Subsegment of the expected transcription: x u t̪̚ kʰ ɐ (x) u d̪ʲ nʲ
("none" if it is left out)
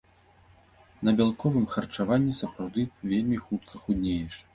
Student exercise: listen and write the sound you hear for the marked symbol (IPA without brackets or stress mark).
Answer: x